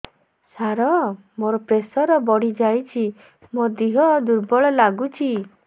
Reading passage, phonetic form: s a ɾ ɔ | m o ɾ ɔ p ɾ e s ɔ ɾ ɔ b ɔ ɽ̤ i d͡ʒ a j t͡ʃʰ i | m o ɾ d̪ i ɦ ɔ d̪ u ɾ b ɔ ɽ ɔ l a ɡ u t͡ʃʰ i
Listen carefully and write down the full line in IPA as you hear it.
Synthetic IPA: s a ɾ ɔ | m o ɾ ɔ p ɾ e s ɔ ɾ ɔ b ɔ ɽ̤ i d͡ʒ a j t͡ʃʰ i | m o d̪ i ɦ ɔ d̪ u ɾ b ɔ ɭ ɔ l a ɡ u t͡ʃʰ i